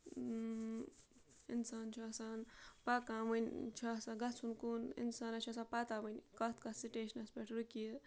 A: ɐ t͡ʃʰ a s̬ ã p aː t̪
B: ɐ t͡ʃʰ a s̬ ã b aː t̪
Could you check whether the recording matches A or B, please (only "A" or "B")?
A